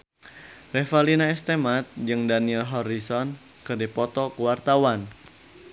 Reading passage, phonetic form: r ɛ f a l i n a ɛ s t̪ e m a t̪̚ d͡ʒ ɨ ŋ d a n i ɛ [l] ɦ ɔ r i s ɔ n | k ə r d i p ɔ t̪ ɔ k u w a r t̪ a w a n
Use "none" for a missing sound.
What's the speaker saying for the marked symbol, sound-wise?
l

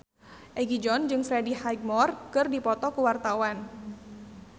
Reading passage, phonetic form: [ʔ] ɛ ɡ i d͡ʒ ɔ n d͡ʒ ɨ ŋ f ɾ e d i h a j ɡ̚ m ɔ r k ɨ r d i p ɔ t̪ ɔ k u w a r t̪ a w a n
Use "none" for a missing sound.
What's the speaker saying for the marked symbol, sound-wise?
ʔ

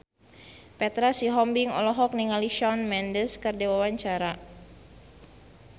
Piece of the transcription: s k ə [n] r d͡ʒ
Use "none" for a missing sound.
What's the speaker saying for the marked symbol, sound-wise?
none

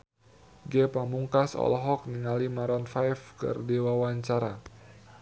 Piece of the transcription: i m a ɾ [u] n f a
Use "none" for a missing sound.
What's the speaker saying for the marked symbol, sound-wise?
ɔ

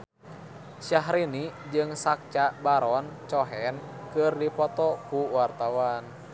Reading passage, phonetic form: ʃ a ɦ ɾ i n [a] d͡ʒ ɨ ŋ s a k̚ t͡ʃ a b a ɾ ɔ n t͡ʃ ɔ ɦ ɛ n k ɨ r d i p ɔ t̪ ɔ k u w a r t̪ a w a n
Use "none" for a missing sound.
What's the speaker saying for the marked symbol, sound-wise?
i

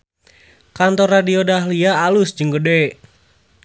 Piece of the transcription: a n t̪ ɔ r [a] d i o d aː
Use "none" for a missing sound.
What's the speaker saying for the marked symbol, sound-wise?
a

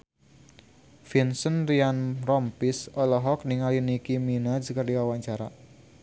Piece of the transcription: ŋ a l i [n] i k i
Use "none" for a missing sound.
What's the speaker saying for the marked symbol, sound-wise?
n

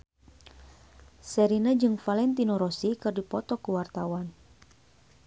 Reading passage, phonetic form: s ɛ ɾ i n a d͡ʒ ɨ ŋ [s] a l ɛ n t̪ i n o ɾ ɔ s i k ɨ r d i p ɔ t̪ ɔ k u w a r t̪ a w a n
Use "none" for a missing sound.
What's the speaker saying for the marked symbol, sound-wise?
f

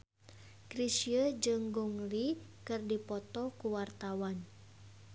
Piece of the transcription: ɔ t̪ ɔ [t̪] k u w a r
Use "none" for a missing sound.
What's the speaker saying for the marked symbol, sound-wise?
none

